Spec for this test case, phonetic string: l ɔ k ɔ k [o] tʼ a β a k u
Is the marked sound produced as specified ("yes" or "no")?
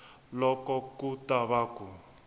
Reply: no